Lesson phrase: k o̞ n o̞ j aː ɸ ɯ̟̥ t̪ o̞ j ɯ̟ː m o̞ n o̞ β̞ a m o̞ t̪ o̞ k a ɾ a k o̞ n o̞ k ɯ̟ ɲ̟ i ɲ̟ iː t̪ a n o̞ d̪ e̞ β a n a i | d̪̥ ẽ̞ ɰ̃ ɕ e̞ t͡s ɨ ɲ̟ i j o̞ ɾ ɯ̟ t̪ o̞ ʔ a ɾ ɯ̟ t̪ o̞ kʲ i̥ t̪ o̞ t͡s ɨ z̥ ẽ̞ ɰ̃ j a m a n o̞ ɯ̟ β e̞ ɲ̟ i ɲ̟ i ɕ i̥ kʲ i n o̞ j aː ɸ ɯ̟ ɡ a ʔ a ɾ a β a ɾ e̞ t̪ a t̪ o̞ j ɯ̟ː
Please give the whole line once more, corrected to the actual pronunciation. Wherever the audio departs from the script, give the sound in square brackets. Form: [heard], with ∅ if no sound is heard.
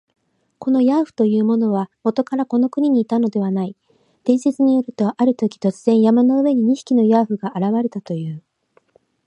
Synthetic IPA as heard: k o̞ n o̞ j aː ɸ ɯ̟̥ t̪ o̞ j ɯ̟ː m o̞ n o̞ β̞ a m o̞ t̪ o̞ k a ɾ a k o̞ n o̞ k ɯ̟ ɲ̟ i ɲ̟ iː t̪ a n o̞ d̪ e̞ β a n a i | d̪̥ ẽ̞ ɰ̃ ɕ e̞ t͡s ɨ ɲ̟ i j o̞ ɾ ɯ̟ t̪ o̞ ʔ a ɾ ɯ̟ t̪ o̞ kʲ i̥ t̪ o̞ t͡s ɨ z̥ ẽ̞ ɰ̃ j a m a n o̞ ɯ̟ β e̞ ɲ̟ i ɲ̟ i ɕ i̥ kʲ i n o̞ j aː ɸ ɯ̟ ɡ a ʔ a ɾ a β a ɾ e̞ t̪ a t̪ o̞ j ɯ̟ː